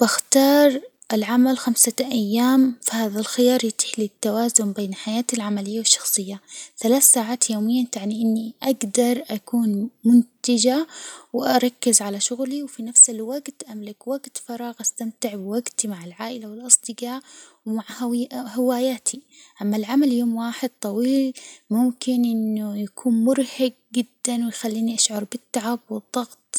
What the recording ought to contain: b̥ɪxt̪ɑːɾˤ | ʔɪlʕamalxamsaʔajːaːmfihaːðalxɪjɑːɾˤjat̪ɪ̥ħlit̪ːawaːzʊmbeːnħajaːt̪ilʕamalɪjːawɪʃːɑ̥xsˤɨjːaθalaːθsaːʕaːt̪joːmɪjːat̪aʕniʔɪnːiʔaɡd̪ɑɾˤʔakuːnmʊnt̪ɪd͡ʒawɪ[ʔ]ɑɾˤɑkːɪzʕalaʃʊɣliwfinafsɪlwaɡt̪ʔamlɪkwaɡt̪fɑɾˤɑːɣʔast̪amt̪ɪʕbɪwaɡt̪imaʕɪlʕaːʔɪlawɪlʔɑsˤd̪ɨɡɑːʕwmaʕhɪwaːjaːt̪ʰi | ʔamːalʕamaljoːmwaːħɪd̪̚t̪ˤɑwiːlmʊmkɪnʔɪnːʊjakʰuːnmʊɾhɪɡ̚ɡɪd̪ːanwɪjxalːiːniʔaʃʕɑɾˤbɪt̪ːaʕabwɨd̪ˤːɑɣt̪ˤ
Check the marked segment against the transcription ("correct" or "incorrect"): correct